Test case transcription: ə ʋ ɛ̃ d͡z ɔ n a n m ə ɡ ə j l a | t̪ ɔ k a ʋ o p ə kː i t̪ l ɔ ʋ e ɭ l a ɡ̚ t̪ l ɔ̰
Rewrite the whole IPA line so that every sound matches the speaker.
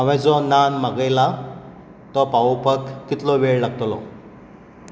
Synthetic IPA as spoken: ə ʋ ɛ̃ d͡z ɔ n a n m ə ɡ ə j l a | t̪ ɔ p a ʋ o p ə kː i t̪ l ɔ ʋ e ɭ l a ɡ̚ t̪ l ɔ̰